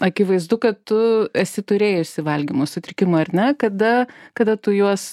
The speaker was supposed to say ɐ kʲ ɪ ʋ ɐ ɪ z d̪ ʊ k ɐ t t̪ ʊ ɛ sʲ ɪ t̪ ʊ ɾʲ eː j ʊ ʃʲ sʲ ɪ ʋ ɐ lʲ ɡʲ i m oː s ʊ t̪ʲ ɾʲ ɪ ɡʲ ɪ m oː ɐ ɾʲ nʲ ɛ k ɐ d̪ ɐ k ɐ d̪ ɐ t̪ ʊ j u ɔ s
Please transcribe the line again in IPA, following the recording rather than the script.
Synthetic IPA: ɐ kʲ ɪ ʋ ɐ ɪ z d̪ ʊ k ɐ t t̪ ʊ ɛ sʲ ɪ t̪ ʊ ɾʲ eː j ʊ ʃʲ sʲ ɪ ʋ ɐ lʲ ɡʲ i m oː s ʊ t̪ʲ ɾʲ ɪ kʲ ɪ m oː ɐ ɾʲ nʲ ɛ k ɐ d̪ ɐ k ɐ d̪ ɐ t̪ ʊ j u ɔ s